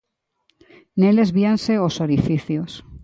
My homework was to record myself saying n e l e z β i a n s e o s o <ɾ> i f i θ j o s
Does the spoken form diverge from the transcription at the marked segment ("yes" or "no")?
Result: no